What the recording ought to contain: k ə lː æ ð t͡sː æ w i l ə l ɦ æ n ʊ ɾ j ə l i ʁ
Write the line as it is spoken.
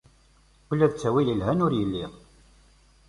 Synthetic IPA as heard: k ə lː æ ð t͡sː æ w i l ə l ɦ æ n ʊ ɾ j ə lː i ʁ